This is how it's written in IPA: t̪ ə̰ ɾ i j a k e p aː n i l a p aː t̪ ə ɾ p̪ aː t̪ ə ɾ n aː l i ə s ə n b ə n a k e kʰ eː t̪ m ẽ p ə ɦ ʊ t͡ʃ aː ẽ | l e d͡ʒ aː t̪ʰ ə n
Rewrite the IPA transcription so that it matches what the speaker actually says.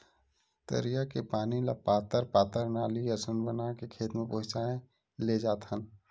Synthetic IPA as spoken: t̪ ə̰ ɾ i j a k e p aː n i l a p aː t̪ ə ɾ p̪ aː t̪ ə ɾ n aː l i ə s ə n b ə n a k e kʰ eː t̪ m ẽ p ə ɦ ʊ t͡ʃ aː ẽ | l e d͡ʒ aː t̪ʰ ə n